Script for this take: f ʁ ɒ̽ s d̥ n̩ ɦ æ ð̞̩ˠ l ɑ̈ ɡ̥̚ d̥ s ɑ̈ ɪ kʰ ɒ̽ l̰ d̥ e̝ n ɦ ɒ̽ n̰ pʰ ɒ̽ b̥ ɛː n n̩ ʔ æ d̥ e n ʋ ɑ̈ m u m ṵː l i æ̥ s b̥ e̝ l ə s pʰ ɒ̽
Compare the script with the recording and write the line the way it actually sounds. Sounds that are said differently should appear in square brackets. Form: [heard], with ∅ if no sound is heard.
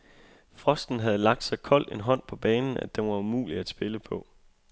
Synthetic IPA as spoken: f ʁ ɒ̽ s d̥ n̩ ɦ æ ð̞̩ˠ l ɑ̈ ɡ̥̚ d̥ s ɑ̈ ɪ kʰ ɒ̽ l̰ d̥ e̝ n ɦ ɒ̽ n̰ pʰ ɒ̽ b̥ ɛː n n̩ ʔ æ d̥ e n ʋ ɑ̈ [∅] u m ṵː l i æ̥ s b̥ e̝ l ə [∅] pʰ ɒ̽